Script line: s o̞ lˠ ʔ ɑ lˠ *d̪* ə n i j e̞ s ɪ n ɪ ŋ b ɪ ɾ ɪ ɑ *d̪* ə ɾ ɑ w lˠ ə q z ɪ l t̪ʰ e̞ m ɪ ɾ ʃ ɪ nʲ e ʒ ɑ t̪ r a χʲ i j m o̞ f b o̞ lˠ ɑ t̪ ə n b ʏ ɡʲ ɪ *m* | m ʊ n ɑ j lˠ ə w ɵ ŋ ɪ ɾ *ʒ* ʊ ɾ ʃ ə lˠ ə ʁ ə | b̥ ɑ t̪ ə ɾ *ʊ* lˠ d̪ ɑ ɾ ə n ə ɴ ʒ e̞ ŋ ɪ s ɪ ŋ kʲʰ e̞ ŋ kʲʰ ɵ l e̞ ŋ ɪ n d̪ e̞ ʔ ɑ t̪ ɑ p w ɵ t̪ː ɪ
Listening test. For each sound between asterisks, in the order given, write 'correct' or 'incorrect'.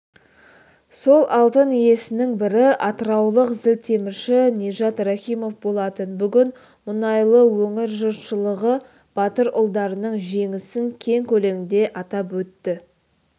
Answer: incorrect, incorrect, incorrect, correct, correct

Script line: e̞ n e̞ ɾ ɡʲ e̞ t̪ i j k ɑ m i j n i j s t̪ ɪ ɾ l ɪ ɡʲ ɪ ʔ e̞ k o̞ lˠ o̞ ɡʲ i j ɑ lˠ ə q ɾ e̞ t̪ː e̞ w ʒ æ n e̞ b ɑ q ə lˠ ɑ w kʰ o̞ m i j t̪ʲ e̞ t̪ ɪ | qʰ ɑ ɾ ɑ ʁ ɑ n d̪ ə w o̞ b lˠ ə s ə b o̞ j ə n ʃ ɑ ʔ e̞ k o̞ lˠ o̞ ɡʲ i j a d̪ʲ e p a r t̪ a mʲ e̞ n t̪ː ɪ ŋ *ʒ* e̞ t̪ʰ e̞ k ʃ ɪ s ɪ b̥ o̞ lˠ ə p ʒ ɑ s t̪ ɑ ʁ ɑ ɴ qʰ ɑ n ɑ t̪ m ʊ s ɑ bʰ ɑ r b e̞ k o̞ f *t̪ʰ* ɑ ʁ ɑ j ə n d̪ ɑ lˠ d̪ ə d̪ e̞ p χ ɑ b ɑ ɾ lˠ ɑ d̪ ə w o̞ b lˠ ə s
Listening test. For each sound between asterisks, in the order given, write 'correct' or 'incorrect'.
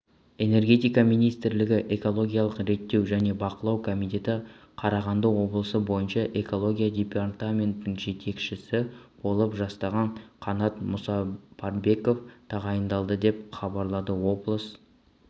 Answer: correct, correct

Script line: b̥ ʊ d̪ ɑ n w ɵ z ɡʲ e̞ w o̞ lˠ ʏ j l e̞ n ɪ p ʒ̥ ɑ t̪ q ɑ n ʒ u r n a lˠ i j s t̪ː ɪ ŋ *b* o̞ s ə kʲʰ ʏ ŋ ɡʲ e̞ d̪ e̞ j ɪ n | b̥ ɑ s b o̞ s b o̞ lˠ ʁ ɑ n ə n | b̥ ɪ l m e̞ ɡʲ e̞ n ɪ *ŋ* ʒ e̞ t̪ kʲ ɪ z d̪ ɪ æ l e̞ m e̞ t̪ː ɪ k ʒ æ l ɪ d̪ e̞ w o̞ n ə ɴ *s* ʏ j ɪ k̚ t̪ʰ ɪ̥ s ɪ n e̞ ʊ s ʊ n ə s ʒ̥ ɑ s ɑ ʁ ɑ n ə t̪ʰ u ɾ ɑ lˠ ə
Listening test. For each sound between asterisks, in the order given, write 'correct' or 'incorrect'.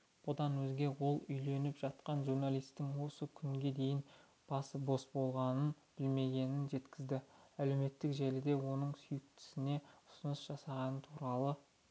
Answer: incorrect, incorrect, correct

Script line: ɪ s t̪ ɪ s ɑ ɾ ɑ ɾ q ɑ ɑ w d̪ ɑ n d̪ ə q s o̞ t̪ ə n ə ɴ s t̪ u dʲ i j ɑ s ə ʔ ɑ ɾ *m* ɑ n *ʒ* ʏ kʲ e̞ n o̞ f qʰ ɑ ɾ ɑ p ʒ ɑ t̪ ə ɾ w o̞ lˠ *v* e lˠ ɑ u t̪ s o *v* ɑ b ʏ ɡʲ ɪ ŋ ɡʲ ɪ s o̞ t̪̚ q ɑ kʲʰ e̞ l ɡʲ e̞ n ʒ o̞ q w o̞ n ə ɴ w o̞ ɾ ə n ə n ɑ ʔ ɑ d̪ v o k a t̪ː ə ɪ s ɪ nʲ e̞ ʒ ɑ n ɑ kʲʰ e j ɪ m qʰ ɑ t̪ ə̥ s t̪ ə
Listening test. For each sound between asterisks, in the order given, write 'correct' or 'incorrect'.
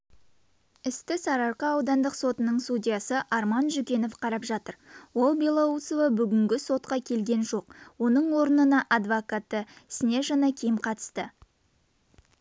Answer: correct, correct, incorrect, correct

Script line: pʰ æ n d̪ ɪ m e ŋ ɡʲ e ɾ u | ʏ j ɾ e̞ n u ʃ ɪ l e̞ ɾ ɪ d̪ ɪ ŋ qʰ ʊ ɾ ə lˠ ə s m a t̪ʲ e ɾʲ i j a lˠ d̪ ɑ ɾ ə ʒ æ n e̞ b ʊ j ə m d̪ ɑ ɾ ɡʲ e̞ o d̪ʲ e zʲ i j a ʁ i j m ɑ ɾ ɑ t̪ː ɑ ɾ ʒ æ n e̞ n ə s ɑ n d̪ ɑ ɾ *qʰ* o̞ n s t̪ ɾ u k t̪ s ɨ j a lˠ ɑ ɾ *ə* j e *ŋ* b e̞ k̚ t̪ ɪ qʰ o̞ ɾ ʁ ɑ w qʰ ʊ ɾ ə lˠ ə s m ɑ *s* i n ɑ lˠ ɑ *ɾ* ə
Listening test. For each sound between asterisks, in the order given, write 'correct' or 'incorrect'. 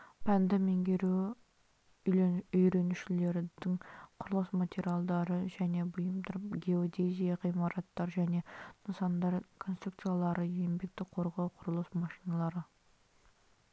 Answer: incorrect, correct, incorrect, incorrect, correct

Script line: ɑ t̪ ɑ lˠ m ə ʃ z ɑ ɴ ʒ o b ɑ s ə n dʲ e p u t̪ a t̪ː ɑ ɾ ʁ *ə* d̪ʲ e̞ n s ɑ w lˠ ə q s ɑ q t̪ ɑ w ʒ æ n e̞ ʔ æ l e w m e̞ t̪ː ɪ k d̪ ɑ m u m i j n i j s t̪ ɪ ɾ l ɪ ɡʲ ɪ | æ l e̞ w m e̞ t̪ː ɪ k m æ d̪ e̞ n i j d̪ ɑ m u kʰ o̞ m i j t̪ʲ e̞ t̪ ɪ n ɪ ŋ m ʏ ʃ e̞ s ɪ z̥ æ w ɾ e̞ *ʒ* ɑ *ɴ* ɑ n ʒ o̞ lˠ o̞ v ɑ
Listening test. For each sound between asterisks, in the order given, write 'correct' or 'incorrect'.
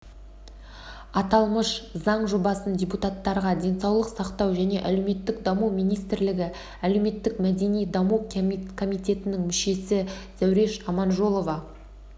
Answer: incorrect, incorrect, incorrect

